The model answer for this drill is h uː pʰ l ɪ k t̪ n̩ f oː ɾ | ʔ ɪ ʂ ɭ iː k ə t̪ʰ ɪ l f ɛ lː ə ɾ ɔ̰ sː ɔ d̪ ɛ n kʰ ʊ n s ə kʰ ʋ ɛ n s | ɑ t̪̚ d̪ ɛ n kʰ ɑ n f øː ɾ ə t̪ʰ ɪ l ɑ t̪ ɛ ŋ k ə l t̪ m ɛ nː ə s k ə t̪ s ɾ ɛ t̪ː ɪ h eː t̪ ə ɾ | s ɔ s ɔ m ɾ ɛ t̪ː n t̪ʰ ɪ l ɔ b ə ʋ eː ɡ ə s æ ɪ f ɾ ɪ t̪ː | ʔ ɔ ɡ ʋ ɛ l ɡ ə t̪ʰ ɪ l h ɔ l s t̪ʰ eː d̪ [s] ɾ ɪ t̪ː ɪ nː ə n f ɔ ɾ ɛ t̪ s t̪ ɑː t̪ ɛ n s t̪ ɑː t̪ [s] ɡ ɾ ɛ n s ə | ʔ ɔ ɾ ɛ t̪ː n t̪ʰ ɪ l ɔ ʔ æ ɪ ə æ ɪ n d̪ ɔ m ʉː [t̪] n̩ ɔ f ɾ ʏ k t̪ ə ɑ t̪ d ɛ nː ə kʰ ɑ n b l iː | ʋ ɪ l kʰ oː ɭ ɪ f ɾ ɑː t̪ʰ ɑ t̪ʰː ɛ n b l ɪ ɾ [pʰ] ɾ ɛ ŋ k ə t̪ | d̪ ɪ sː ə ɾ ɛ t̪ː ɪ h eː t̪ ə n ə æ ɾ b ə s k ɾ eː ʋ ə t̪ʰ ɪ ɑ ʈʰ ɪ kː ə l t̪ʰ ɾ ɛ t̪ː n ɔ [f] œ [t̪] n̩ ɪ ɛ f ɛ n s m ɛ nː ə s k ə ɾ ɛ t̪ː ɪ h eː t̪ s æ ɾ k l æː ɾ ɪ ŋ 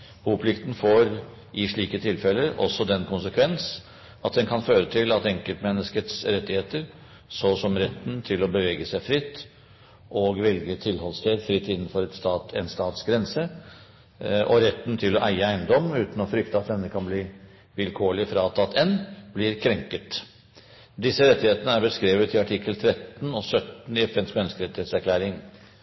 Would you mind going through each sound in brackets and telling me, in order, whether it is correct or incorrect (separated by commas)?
incorrect, correct, correct, incorrect, incorrect, correct